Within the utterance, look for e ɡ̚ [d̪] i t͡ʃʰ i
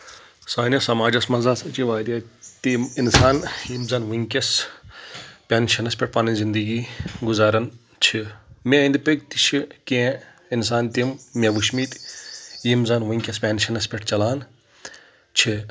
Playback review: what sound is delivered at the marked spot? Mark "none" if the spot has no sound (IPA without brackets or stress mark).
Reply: t̪